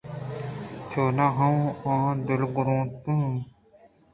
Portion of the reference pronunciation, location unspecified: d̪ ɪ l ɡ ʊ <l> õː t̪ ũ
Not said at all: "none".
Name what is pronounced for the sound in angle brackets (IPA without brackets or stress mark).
ɾ